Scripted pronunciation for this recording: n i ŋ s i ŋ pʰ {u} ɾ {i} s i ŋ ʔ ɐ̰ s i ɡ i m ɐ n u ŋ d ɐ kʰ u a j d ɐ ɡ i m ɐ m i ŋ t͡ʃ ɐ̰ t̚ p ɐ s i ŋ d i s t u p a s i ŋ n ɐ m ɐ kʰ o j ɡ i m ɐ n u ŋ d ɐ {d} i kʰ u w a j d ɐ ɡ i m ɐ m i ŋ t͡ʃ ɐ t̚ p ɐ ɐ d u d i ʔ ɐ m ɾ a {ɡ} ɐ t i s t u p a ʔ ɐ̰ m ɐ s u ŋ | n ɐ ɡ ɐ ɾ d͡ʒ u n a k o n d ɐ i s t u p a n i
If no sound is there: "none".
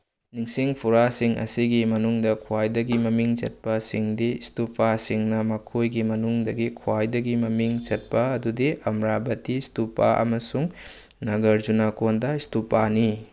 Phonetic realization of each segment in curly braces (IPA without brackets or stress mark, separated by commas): u, a, ɡ, b